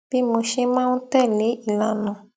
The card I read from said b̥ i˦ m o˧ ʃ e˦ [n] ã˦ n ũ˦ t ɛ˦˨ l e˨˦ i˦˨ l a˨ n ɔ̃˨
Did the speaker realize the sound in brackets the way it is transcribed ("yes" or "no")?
no